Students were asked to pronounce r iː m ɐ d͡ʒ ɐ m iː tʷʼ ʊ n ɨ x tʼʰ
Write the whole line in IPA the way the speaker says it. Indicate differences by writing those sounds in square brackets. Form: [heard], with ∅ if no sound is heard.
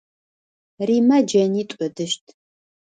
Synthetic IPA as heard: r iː m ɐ d͡ʒ ɐ [n] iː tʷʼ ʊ [d] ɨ [ʃ] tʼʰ